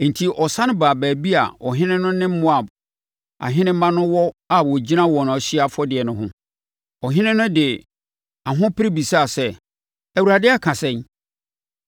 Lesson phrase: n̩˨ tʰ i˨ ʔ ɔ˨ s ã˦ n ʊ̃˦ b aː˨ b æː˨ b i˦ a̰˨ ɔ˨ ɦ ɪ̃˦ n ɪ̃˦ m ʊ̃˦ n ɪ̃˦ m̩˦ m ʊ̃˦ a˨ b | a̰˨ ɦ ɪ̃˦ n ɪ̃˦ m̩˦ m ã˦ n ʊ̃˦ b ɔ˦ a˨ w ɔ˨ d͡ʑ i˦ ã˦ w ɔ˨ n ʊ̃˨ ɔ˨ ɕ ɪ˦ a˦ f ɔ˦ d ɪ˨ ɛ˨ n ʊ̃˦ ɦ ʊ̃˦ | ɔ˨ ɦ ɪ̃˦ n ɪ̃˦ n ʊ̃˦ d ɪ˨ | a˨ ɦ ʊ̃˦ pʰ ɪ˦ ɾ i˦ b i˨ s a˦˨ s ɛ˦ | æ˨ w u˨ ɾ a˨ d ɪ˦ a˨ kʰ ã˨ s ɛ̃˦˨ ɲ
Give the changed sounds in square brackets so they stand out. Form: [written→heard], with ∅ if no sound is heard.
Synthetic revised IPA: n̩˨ tʰ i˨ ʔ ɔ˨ s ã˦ n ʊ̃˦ b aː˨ b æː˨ b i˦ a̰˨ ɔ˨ ɦ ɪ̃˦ n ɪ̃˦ [m→n] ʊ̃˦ n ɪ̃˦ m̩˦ m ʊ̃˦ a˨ b | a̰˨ ɦ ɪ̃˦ n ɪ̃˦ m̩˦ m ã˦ n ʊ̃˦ [b→w] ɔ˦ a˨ w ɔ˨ d͡ʑ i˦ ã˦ w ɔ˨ n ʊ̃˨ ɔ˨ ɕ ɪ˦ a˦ f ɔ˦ d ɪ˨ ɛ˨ n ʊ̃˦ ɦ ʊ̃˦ | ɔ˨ ɦ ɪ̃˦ n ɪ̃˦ n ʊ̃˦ d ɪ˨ | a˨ ɦ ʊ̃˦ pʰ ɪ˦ ɾ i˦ b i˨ s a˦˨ s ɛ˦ | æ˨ w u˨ ɾ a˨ d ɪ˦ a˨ kʰ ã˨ s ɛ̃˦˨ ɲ